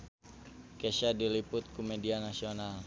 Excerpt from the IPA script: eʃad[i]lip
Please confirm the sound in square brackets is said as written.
yes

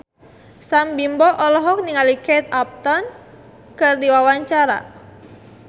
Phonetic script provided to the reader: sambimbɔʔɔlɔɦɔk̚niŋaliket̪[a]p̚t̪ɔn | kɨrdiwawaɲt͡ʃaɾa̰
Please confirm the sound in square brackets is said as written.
yes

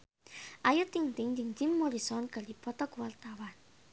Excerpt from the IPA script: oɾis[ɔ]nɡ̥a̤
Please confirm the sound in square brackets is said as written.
yes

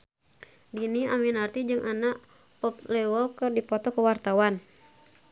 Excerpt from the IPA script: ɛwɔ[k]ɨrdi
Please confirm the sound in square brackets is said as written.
yes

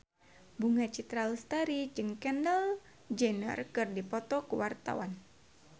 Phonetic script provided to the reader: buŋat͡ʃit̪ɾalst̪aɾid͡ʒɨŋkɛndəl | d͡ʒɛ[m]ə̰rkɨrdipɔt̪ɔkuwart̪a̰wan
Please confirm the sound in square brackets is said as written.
no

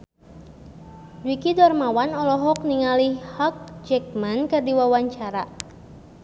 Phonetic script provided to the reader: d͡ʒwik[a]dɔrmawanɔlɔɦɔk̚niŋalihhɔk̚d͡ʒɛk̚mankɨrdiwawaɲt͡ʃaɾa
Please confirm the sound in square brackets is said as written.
no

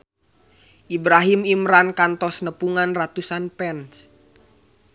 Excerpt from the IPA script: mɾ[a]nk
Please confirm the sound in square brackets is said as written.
yes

